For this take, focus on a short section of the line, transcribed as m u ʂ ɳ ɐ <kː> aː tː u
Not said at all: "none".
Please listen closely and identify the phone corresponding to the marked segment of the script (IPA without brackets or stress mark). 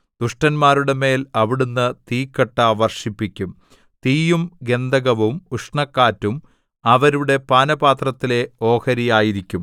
kː